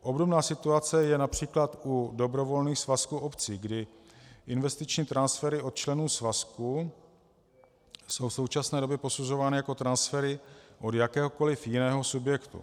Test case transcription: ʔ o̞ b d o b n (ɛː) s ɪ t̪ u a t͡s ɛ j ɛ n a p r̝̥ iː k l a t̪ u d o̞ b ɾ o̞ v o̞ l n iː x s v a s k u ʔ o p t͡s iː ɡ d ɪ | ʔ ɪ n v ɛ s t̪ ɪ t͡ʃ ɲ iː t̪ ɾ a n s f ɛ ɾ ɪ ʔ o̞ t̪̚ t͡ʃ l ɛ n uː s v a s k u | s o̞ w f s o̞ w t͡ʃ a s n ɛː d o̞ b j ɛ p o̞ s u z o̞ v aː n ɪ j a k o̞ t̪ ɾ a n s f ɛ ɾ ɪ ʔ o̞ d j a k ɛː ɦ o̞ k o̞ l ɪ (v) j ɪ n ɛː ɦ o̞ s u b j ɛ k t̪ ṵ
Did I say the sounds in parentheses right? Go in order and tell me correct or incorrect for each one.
incorrect: aː, incorrect: f

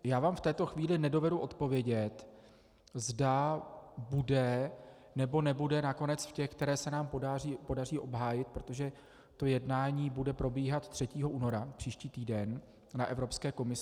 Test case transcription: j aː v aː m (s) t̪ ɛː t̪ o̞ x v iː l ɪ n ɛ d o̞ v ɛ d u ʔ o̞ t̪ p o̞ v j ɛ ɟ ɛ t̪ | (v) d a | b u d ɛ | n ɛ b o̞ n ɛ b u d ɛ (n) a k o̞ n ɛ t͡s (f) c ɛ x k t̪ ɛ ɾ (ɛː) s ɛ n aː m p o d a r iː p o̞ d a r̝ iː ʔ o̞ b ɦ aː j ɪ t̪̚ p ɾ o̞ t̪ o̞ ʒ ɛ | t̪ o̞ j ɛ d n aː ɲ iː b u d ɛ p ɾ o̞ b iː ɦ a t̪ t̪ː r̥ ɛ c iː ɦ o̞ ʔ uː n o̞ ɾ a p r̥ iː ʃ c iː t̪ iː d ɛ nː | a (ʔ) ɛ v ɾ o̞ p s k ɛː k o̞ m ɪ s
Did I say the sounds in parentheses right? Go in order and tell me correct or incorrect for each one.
incorrect: f, incorrect: z, correct, correct, correct, correct

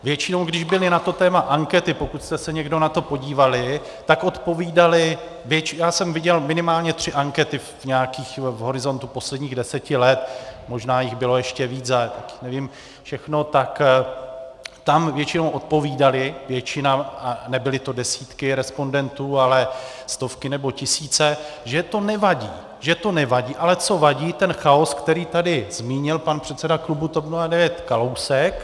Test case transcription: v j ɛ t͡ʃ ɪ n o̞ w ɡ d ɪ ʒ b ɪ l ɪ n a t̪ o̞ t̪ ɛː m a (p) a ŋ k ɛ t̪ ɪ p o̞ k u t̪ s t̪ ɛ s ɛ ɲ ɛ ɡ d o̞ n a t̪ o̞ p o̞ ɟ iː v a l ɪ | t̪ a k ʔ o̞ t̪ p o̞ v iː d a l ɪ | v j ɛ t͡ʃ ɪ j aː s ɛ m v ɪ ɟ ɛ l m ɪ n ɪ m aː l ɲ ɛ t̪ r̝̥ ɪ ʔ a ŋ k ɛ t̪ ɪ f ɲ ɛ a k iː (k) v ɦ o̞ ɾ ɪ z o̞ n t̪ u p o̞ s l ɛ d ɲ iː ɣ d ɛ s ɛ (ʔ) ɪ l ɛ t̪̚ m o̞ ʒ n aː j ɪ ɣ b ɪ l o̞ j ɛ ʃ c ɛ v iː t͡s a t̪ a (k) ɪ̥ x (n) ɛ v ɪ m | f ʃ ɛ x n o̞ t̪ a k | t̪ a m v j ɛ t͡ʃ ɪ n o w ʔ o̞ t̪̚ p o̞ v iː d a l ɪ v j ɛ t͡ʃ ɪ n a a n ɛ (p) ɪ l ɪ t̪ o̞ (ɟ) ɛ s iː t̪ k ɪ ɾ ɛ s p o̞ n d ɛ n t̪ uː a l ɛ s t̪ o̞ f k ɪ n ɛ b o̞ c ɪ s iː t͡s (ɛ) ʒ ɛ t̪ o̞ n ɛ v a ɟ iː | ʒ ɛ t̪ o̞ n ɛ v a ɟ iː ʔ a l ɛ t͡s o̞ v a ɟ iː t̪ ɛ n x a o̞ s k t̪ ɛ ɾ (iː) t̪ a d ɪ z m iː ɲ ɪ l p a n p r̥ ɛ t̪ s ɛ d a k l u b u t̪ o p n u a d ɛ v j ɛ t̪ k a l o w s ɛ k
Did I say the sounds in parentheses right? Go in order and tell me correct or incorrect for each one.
incorrect: ʔ, incorrect: x, incorrect: c, correct, correct, incorrect: b, incorrect: d, correct, correct

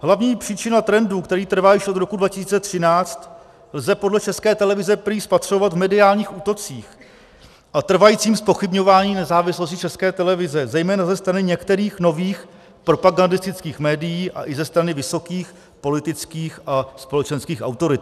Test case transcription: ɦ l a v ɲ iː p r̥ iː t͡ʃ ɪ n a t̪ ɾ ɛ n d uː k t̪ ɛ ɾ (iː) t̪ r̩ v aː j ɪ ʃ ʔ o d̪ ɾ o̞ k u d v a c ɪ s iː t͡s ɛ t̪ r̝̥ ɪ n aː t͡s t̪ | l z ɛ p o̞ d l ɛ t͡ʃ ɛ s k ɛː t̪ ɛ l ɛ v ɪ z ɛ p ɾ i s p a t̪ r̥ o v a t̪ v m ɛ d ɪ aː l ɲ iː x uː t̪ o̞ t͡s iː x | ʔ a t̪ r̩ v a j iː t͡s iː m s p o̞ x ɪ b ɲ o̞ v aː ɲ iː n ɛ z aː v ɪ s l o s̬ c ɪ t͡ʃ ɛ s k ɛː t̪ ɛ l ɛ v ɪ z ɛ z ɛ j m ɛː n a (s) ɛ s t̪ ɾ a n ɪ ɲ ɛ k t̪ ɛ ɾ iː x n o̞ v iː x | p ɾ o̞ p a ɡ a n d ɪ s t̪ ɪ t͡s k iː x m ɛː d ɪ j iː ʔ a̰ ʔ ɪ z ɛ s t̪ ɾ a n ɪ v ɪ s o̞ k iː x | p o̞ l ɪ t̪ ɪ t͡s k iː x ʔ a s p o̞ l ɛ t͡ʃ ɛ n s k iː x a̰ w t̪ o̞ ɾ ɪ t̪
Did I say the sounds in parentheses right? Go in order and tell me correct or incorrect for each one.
correct, incorrect: z

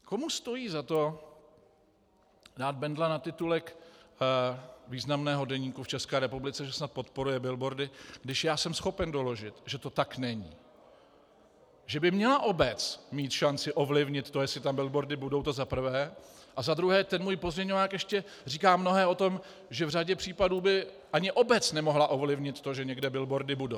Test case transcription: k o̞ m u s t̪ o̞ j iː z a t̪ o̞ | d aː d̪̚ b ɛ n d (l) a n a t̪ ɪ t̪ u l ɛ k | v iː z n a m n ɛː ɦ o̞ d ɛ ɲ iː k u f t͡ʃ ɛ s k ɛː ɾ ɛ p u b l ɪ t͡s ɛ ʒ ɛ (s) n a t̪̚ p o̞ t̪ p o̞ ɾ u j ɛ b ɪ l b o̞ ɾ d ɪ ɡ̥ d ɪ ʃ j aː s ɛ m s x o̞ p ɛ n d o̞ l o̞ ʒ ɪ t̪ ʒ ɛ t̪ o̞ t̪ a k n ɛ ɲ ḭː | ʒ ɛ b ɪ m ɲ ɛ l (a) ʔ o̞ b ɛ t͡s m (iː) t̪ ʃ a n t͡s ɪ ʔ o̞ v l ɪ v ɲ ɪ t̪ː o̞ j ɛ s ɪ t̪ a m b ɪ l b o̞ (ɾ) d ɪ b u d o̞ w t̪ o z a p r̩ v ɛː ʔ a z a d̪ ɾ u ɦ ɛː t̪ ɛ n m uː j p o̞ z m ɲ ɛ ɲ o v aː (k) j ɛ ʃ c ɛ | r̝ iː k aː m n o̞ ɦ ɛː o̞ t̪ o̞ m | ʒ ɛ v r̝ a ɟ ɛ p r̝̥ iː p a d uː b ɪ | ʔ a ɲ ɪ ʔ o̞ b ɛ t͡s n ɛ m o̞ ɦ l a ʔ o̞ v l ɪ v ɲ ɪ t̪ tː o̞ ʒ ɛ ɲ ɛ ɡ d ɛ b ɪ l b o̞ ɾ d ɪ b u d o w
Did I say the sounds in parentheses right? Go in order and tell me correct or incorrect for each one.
correct, correct, correct, correct, correct, correct

